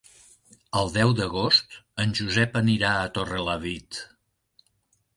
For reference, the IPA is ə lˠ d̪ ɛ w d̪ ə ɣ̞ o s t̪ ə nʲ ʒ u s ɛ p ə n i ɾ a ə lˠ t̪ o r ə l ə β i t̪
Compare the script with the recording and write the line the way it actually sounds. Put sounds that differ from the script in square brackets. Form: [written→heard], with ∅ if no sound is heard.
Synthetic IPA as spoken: ə lˠ d̪ ɛ w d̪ ə ɣ̞ o s t̪ ə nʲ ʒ u [s→z] ɛ p ə n i ɾ a ə [lˠ→∅] t̪ o r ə l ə β i t̪